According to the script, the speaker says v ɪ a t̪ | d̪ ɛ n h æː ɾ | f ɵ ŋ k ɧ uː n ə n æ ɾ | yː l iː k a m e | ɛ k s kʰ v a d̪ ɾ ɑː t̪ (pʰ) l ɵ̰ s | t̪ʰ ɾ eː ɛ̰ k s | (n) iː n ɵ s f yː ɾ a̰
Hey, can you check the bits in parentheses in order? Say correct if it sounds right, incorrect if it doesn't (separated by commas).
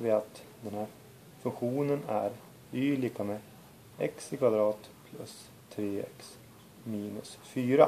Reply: correct, incorrect